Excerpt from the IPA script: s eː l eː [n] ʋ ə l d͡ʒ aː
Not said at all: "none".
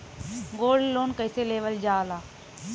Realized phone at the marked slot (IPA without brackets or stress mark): none